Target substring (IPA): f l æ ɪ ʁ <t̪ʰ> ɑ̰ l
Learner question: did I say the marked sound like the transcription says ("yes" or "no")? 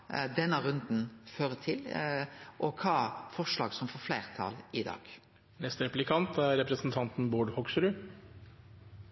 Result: yes